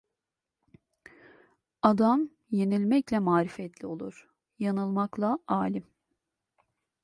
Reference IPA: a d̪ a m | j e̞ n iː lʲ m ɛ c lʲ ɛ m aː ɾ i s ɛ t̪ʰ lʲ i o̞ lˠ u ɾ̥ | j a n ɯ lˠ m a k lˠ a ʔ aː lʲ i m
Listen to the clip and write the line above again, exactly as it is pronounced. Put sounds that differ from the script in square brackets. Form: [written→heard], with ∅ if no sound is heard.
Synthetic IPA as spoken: a d̪ a m | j e̞ n [iː→i] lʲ m ɛ c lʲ ɛ m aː ɾ i [s→f] ɛ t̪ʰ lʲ i o̞ lˠ u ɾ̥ | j a n ɯ lˠ m a k lˠ a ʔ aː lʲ i m